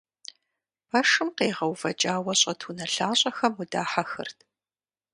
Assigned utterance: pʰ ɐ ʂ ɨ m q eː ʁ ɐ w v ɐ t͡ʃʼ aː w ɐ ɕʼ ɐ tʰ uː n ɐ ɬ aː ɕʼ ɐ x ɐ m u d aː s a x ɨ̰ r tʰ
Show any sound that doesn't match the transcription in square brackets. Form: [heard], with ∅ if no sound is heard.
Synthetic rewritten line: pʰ ɐ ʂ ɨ m q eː ʁ ɐ w v ɐ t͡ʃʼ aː w ɐ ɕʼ ɐ tʰ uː n ɐ ɬ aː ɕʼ ɐ x ɐ m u d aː [ħ] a x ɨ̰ r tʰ